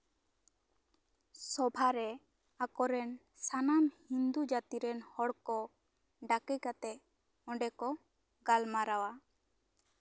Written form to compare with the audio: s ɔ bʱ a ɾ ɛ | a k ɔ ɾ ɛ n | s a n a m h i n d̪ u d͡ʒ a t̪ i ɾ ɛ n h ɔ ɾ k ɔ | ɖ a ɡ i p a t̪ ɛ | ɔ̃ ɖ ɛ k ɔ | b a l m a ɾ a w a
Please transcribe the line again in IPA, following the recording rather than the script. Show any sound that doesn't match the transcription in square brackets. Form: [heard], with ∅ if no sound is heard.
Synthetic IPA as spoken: s ɔ bʱ a ɾ ɛ | a k ɔ ɾ ɛ n | s a n a m h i n d̪ u d͡ʒ a t̪ i ɾ ɛ n h ɔ [ɽ] k ɔ | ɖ a [k] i [k] a t̪ ɛ | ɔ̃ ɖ ɛ k ɔ | [ɡ] a l m a ɾ a w a